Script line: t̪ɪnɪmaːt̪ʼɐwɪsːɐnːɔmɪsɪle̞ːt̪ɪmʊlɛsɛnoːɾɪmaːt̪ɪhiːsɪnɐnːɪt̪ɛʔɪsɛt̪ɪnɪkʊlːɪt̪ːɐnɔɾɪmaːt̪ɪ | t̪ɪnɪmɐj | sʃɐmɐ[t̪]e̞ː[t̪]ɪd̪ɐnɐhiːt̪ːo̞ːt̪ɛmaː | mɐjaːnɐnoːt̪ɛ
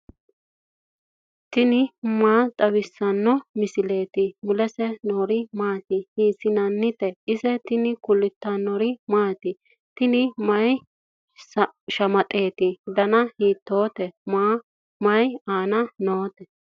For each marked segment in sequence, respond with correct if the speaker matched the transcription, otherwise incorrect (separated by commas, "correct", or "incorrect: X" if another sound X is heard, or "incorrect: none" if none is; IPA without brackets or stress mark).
incorrect: t̪ʼ, correct